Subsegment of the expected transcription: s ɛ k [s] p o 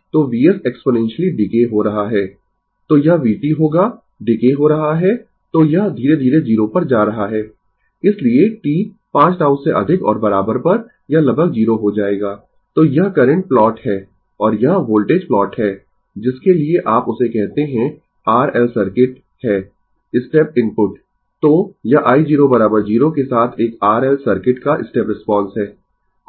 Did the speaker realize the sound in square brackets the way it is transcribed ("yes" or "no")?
yes